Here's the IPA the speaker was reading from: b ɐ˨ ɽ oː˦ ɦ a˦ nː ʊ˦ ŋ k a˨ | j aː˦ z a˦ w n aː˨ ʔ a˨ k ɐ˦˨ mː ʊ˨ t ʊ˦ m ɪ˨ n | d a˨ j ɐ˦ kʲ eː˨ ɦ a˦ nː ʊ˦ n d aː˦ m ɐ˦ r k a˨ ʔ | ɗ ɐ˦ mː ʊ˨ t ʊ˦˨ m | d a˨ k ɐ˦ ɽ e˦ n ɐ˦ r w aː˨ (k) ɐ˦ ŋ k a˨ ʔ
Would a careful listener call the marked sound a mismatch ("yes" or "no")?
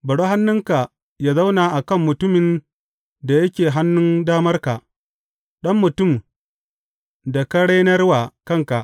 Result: no